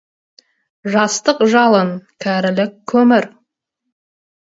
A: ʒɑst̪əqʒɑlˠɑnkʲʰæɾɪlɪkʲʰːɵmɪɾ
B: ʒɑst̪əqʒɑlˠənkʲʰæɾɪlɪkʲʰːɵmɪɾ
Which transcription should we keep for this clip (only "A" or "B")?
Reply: B